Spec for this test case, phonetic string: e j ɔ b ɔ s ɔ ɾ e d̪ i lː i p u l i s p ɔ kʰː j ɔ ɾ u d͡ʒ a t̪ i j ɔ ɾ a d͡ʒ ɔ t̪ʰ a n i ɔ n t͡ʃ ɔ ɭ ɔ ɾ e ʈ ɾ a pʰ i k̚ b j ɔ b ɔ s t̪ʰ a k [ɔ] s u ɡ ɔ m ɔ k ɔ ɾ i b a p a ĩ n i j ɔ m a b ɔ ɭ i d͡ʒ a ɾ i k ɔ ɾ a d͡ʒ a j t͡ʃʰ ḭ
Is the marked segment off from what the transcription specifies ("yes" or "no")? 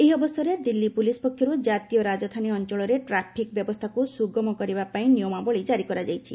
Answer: yes